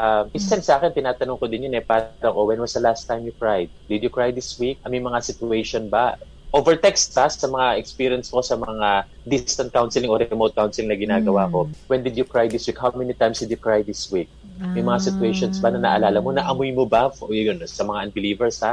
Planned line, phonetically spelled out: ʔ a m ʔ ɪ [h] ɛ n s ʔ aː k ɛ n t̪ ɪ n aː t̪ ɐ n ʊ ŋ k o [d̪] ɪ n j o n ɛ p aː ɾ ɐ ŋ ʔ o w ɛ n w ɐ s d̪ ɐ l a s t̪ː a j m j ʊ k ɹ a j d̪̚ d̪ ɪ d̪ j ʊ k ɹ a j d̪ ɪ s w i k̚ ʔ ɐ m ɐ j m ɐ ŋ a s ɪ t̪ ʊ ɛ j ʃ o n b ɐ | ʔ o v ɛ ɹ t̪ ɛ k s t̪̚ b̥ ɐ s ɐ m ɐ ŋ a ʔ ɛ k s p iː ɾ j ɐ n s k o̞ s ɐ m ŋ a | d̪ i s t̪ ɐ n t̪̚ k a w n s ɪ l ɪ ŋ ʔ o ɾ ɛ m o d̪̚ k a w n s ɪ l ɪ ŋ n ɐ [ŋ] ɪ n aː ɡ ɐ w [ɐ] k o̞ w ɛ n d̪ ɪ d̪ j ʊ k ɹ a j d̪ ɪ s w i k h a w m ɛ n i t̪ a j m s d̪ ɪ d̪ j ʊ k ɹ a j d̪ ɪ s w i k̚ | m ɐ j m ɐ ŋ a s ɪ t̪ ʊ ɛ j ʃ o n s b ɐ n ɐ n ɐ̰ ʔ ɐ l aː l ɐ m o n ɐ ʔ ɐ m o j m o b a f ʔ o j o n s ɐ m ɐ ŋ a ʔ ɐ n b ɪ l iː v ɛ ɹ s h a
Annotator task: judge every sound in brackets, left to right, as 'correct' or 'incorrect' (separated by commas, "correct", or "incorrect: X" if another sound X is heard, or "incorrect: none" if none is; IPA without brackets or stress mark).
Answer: incorrect: s, correct, incorrect: ɡ, incorrect: a